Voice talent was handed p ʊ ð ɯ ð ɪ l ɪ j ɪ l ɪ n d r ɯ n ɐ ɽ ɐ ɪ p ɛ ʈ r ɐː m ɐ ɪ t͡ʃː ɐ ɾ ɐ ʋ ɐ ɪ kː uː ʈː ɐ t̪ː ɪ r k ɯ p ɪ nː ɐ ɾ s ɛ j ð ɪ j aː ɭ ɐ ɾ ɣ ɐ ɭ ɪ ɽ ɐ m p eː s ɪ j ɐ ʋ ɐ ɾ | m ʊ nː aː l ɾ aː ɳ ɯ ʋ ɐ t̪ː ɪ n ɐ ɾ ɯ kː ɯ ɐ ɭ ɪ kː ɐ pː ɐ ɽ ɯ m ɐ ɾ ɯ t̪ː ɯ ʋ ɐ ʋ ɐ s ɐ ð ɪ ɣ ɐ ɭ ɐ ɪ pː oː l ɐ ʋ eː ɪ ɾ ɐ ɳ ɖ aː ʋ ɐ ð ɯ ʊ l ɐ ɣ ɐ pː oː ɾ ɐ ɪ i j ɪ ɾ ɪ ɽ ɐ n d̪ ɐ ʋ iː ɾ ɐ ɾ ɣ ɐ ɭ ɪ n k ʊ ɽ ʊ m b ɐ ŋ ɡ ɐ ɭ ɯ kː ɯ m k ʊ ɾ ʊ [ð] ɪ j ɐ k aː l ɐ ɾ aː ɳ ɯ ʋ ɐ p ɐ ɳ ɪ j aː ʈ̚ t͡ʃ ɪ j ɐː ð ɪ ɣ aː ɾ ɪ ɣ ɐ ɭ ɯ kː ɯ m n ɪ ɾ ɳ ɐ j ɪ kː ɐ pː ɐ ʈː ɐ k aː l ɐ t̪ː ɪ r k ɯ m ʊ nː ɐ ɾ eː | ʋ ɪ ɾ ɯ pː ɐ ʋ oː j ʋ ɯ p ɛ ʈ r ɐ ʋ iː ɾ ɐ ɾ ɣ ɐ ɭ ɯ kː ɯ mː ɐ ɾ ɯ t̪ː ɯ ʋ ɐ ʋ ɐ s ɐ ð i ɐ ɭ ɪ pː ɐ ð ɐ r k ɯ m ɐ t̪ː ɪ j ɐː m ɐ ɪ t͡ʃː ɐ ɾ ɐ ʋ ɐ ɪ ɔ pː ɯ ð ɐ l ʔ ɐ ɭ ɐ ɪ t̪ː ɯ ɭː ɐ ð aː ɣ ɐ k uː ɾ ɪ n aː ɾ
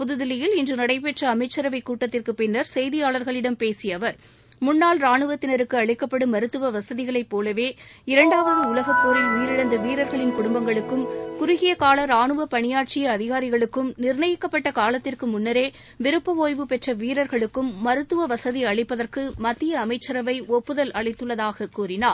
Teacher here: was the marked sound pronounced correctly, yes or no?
no